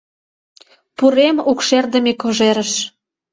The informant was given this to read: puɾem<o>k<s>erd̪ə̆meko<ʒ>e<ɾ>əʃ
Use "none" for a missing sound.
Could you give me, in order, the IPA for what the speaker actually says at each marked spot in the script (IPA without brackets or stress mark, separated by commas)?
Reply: u, ʃ, ʒ, ɾ